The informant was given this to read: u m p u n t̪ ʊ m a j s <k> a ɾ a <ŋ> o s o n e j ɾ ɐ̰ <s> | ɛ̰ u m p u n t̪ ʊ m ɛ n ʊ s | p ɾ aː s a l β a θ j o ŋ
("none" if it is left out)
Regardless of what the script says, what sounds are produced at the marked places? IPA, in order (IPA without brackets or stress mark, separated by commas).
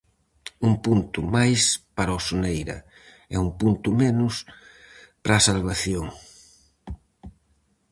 p, none, none